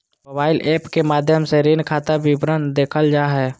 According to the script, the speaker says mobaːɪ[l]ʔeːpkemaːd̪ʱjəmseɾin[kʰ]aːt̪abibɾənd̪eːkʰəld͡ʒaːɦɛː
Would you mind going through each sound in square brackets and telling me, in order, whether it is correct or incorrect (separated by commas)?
correct, correct